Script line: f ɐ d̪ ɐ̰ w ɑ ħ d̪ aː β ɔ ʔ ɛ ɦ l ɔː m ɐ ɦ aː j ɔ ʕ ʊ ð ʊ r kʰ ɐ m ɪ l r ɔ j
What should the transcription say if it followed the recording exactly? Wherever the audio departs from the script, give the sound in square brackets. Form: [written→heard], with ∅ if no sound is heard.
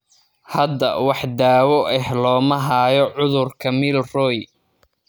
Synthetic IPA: [f→h] ɐ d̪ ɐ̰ w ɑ ħ d̪ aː [β→w] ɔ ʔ ɛ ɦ l ɔː m ɐ ɦ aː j ɔ ʕ ʊ ð ʊ r kʰ ɐ m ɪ l r ɔ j